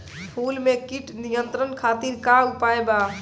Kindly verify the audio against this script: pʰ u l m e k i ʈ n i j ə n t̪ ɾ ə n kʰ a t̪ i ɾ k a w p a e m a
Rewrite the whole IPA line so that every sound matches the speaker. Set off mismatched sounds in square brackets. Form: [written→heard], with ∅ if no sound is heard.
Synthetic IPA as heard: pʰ u l m e k i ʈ n i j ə n t̪ ɾ ə n kʰ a t̪ i ɾ k a [w→u] p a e [m→b] a